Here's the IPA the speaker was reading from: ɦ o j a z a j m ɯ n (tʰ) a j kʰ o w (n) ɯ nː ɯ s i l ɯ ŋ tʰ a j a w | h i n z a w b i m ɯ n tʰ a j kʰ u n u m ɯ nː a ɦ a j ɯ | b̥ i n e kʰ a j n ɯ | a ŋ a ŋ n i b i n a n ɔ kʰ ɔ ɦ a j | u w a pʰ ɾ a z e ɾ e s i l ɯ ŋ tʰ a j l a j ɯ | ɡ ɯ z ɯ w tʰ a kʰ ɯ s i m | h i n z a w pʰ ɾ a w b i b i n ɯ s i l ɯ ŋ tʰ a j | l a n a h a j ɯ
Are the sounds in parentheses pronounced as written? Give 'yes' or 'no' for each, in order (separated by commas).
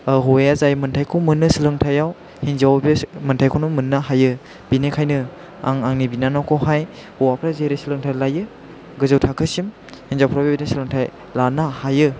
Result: yes, no